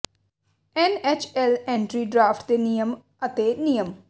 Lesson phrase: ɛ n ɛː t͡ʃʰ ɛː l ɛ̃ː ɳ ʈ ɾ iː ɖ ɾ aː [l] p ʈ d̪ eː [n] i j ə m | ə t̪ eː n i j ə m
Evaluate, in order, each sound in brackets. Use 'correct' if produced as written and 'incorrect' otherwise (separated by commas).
incorrect, correct